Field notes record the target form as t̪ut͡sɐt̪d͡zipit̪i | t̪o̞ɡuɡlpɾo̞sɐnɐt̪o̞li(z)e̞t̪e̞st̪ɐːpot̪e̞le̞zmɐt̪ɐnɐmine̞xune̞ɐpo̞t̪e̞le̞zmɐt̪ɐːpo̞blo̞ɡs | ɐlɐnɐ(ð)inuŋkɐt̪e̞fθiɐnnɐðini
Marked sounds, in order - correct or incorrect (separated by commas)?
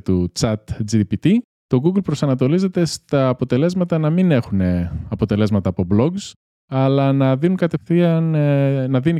correct, correct